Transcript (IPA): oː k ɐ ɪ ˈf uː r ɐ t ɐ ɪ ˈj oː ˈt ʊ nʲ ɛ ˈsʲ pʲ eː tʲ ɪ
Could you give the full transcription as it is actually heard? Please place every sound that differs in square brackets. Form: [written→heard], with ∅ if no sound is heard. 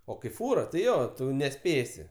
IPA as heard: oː k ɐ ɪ ˈf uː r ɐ t ɐ ɪ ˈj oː ˈt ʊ nʲ ɛ ˈsʲ pʲ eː [tʲ→sʲ] ɪ